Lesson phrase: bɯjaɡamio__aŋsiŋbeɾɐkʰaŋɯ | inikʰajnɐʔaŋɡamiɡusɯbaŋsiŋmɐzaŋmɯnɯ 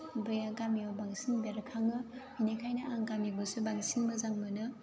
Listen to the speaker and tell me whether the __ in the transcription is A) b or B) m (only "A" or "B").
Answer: A